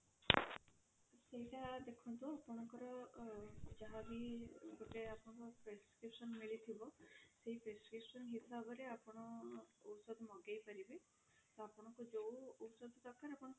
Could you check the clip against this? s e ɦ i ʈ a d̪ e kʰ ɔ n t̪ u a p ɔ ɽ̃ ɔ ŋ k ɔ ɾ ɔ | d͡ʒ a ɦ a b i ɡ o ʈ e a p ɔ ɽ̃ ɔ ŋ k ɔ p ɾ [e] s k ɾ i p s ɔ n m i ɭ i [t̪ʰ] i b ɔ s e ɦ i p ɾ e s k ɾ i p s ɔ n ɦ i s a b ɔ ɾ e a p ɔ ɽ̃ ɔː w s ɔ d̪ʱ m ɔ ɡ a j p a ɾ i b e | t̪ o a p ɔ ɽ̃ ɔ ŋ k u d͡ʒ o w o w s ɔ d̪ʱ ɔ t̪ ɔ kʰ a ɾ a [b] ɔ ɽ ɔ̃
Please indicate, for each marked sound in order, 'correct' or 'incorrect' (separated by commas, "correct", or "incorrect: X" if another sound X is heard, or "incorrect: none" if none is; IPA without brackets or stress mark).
correct, correct, incorrect: p